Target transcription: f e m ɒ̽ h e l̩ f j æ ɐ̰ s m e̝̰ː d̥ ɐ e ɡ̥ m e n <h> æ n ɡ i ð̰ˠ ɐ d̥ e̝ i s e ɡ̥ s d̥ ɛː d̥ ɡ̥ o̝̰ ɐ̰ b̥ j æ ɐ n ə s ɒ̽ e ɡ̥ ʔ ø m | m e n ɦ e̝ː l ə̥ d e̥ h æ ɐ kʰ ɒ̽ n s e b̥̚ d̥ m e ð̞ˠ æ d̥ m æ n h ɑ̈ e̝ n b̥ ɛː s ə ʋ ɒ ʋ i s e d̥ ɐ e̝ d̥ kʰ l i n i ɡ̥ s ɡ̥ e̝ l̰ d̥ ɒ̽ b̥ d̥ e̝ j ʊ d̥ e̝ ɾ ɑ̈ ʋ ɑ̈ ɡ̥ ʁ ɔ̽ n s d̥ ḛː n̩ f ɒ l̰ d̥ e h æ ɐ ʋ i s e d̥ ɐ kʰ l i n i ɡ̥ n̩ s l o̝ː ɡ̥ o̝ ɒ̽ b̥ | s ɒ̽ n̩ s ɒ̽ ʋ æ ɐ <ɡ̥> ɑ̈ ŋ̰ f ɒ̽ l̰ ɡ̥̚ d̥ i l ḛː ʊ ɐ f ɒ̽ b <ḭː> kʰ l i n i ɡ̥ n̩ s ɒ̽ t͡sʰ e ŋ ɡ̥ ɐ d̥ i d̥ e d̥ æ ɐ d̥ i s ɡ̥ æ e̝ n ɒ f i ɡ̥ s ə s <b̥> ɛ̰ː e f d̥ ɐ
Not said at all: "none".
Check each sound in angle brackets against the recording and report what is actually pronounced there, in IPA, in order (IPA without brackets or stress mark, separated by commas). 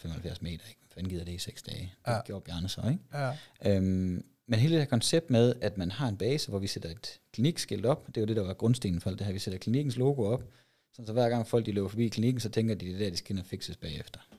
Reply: f, ɡ̥, ḭː, b̥